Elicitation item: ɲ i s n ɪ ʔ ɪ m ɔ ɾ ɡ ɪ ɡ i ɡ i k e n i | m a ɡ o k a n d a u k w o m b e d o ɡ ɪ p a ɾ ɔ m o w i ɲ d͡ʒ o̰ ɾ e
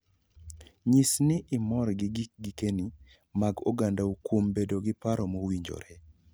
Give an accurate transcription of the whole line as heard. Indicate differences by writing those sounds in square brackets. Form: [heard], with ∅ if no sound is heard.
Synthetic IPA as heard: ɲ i s n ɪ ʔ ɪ m ɔ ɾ ɡ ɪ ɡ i ɡ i k e n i | m a ɡ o [ɡ] a n d a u k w o m b e d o ɡ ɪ p a ɾ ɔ m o w i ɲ d͡ʒ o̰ ɾ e